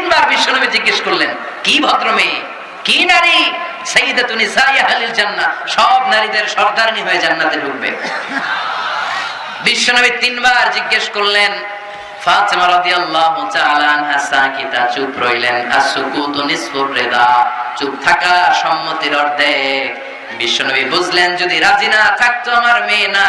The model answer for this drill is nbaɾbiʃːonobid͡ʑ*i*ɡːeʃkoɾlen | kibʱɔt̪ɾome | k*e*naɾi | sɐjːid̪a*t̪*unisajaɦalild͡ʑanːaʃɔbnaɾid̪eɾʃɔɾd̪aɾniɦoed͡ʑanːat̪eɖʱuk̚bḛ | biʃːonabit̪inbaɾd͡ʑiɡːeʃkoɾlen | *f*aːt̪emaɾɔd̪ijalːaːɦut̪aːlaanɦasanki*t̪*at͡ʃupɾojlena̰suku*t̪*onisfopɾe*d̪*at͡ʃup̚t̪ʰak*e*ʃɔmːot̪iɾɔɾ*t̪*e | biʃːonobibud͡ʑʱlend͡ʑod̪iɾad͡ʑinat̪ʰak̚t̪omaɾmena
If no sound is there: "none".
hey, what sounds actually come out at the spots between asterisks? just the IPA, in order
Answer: i, i, t̪, f, t̪, t̪, d̪, a, d̪

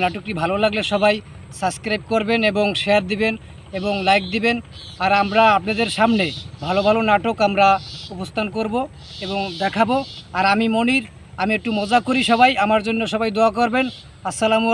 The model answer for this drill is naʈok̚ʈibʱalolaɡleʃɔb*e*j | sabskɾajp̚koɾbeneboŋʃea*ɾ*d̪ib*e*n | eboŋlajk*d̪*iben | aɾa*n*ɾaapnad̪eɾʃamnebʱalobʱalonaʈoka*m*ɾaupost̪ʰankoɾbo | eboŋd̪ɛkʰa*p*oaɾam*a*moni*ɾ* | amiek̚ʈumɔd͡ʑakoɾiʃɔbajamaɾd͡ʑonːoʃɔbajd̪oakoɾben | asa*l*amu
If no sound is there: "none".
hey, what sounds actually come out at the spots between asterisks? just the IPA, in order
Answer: a, ɾ, e, d̪, m, m, b, i, ɾ, l

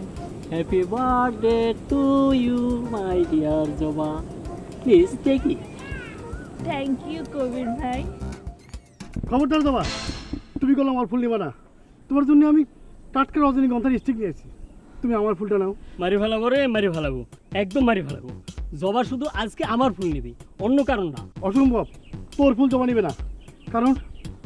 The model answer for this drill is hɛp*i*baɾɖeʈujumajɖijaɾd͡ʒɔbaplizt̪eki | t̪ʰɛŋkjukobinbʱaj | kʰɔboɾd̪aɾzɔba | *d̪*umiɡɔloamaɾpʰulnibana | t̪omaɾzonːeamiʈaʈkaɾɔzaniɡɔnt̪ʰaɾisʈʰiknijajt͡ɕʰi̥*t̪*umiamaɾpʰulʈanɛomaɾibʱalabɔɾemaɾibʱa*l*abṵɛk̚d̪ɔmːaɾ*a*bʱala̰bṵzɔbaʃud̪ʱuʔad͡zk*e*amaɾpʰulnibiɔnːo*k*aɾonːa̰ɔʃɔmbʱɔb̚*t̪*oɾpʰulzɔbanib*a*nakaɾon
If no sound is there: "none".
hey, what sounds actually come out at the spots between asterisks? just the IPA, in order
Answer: i, t̪, t̪, l, i, e, k, t̪, e

